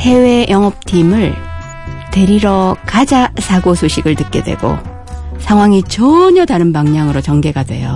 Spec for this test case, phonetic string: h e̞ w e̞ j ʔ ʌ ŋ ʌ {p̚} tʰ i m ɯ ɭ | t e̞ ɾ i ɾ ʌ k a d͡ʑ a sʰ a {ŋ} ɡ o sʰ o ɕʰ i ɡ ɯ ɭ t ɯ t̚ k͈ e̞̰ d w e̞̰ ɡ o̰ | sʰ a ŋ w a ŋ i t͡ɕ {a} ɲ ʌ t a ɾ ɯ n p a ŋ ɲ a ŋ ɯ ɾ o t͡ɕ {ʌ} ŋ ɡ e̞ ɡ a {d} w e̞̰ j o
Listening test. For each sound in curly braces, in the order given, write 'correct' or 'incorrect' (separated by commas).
correct, incorrect, incorrect, correct, correct